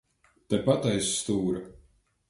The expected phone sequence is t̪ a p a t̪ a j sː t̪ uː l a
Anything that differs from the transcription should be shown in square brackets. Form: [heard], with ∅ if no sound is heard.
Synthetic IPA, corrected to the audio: t̪ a p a t̪ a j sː t̪ uː [ɾ] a